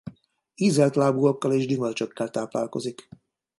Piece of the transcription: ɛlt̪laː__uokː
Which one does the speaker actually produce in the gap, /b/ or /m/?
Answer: b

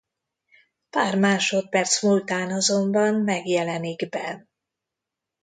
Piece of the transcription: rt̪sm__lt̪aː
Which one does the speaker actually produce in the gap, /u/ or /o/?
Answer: u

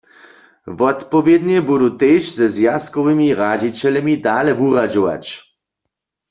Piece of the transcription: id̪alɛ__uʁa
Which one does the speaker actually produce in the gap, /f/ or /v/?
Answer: v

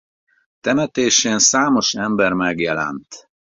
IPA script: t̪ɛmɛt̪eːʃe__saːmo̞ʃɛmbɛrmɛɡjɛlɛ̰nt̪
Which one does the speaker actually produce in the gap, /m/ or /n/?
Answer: n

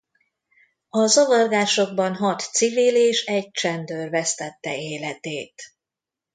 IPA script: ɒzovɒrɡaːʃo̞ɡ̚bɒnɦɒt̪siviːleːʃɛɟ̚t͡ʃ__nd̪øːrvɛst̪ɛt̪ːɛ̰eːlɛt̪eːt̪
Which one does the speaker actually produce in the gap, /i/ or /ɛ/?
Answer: ɛ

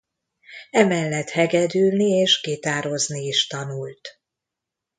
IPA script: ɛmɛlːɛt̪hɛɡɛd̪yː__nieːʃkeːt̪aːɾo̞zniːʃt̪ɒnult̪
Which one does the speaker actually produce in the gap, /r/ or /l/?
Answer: l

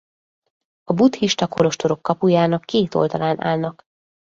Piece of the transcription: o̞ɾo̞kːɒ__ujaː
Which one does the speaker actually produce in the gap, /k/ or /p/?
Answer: p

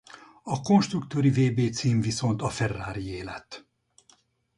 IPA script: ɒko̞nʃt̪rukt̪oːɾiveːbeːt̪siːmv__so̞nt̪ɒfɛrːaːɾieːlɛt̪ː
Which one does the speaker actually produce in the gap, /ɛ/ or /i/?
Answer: i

